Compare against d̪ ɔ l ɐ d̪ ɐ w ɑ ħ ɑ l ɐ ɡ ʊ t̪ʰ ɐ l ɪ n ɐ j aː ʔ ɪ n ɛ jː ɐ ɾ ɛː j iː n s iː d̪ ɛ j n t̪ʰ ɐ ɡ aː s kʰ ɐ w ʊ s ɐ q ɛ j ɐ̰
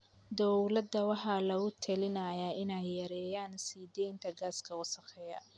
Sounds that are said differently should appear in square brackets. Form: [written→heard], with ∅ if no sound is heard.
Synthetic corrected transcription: d̪ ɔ l ɐ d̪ ɐ w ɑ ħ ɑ l ɐ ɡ ʊ t̪ʰ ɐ l ɪ n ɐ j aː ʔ ɪ n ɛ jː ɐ ɾ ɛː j [iː→aː] n s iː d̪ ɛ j n t̪ʰ ɐ ɡ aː s kʰ ɐ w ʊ s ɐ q ɛ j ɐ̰